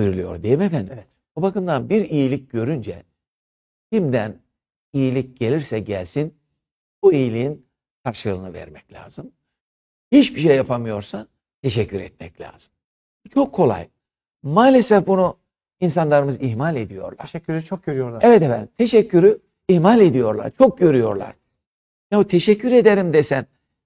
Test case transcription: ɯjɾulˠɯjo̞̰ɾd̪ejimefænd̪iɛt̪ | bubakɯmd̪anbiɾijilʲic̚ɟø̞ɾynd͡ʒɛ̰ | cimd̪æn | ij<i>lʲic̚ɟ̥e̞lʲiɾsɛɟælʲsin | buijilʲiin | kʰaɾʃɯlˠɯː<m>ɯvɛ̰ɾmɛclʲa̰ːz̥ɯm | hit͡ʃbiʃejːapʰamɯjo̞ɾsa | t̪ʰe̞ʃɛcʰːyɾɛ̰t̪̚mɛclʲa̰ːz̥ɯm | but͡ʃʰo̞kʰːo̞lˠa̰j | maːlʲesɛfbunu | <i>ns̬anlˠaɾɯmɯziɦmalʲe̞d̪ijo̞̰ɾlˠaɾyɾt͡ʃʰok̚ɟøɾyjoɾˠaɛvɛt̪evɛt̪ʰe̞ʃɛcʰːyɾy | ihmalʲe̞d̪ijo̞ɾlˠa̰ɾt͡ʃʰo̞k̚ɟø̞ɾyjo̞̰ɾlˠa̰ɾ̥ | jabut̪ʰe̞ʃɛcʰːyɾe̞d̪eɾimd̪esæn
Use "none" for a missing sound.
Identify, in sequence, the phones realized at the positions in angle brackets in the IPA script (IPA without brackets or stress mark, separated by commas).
i, n, i